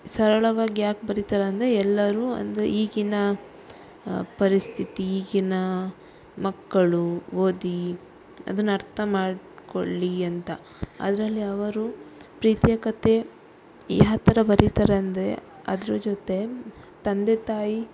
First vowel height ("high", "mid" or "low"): low